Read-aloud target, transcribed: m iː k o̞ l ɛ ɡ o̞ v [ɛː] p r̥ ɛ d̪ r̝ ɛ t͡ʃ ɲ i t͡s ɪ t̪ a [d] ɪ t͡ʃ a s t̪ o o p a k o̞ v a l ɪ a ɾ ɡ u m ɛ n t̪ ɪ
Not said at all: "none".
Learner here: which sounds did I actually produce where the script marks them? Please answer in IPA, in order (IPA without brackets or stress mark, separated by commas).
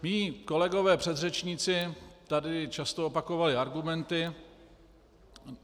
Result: ɛː, d